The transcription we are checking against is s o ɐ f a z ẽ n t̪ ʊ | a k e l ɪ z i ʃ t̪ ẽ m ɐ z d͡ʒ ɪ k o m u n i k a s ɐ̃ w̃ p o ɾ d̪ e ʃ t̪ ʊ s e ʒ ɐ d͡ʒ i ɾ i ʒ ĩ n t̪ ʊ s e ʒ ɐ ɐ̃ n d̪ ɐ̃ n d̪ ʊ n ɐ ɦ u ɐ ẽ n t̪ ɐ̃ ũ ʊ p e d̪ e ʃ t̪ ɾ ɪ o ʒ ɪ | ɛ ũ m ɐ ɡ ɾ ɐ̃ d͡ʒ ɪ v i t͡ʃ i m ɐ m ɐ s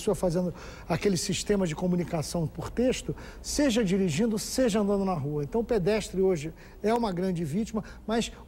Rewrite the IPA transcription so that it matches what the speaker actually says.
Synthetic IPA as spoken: s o ɐ f a z ẽ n d̪ ʊ | a k e l ɪ s i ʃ t̪ ẽ m ɐ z d͡ʒ ɪ k o m u n i k a s ɐ̃ w̃ p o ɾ t̪ e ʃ t̪ ʊ s e ʒ ɐ d͡ʒ i ɾ i ʒ ĩ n d̪ ʊ s e ʒ ɐ ɐ̃ n d̪ ɐ̃ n d̪ ʊ n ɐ ɦ u ɐ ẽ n t̪ ɐ̃ w̃ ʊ p e d̪ ɛ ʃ t̪ ɾ ɪ o ʒ ɪ | ɛ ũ m ɐ ɡ ɾ ɐ̃ d͡ʒ ɪ v i t͡ʃ i m ɐ m ɐ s